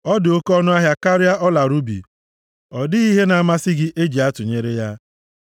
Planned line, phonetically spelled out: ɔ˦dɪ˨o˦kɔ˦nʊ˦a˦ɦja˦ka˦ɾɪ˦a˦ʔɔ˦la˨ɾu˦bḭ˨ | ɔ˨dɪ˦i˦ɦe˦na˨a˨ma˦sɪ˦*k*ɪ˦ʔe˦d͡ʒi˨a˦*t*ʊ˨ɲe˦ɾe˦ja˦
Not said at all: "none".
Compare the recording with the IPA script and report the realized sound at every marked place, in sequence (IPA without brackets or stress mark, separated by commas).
ɡ, t